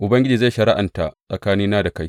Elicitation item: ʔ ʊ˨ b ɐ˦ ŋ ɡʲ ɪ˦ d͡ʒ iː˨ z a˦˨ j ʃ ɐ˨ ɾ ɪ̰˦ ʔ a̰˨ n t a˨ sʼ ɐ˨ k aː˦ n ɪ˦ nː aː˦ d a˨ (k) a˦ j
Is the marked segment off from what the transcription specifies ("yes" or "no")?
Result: no